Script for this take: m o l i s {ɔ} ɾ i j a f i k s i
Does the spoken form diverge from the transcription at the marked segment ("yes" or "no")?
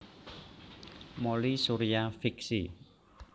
yes